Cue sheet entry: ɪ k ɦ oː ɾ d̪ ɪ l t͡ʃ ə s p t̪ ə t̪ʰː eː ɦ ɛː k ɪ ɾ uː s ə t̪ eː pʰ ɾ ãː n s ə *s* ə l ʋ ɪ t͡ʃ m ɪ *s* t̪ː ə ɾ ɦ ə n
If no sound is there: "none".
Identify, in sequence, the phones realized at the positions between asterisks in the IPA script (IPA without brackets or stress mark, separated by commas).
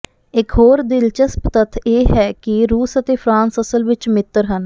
s, none